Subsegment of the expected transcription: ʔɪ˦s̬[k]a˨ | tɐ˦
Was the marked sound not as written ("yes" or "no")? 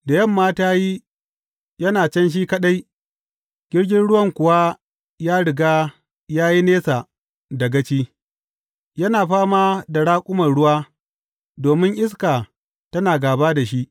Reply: no